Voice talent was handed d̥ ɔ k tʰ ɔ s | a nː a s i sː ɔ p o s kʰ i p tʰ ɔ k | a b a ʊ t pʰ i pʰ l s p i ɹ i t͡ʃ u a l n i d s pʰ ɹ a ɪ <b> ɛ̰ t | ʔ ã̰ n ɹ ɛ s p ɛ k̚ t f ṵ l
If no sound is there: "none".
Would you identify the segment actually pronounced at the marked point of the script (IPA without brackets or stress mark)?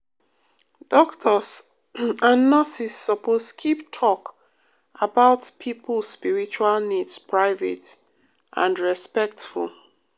v